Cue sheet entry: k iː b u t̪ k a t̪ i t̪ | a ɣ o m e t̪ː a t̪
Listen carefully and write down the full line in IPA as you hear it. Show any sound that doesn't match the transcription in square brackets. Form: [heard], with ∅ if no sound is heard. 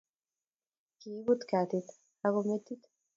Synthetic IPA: k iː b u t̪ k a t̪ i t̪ | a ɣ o m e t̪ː [i] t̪